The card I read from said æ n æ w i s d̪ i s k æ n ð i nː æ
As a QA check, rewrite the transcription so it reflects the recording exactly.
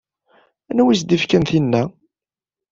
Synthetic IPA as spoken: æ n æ w i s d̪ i f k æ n θ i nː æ